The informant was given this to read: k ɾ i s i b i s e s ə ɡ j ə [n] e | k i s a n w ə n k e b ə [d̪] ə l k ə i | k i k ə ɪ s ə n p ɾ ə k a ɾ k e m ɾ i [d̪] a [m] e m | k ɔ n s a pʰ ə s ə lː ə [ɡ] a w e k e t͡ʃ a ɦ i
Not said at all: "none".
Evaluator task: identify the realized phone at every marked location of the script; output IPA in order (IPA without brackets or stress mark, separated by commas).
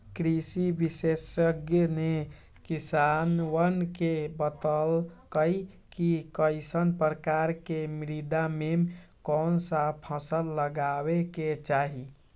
n, t̪, d̪, m, ɡ